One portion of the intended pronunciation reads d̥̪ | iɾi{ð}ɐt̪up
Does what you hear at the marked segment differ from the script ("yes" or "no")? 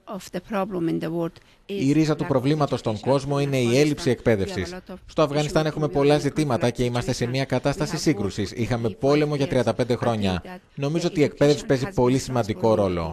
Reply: yes